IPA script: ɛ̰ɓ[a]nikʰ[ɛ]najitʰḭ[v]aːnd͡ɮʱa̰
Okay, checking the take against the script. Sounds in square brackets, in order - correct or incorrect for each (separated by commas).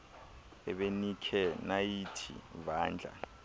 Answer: incorrect, correct, correct